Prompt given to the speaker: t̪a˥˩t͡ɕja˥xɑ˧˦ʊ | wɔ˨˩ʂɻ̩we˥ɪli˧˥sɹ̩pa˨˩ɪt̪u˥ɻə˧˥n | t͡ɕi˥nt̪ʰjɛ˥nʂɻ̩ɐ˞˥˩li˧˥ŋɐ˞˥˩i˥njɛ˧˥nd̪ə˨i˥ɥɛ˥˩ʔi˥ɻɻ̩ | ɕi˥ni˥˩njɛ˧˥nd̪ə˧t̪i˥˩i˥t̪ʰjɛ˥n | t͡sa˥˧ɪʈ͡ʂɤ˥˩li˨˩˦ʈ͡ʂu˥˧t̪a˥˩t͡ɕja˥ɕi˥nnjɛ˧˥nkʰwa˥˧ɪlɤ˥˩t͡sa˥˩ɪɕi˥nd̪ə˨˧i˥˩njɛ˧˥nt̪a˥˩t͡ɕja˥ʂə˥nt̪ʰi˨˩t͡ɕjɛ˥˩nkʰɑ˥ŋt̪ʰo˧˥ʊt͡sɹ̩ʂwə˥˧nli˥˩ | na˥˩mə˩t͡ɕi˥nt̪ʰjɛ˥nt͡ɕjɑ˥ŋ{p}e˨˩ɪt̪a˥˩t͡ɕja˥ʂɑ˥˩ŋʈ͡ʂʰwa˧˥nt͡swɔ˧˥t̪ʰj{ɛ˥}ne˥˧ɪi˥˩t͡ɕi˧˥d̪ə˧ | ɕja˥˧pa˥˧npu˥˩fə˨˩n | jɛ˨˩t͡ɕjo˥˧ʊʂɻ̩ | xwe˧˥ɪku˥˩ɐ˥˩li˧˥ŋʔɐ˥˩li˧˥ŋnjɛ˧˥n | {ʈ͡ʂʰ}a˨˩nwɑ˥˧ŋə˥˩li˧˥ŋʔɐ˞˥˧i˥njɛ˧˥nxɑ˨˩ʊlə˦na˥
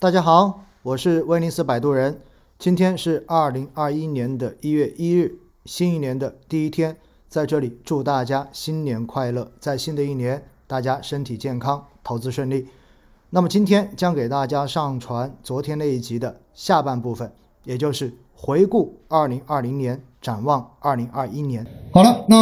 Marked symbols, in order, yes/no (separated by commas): no, yes, no